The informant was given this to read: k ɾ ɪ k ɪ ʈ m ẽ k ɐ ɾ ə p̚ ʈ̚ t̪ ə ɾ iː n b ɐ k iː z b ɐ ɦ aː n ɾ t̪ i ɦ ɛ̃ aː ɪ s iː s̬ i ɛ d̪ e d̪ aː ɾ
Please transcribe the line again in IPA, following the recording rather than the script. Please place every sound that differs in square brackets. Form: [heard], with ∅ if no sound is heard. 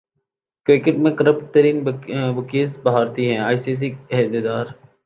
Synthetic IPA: k ɾ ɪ k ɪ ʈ m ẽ k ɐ ɾ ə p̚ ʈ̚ t̪ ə ɾ iː n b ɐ k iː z b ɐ ɦ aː [∅] ɾ t̪ i ɦ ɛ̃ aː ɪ s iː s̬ i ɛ d̪ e d̪ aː ɾ